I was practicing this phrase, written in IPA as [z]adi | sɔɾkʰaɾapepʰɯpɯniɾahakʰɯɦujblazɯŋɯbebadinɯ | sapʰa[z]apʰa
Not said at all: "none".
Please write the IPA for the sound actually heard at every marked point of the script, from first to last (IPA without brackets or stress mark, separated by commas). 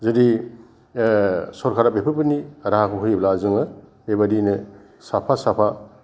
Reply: z, s